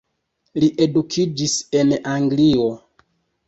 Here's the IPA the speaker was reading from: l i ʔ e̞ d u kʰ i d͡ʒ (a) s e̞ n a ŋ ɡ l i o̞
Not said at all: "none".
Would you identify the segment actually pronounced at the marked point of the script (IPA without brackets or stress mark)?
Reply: i